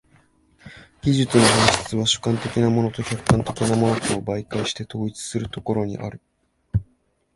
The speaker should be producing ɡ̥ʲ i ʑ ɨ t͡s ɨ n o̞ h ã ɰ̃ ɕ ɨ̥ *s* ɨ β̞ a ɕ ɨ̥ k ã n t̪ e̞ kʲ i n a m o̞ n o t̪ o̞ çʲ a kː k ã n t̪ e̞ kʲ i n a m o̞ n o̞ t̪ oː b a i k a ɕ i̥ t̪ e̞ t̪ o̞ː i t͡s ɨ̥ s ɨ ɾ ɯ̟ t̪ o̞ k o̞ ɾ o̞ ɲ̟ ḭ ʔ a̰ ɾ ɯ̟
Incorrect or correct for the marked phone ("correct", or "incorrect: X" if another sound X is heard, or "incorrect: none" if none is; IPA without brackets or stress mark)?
incorrect: t͡s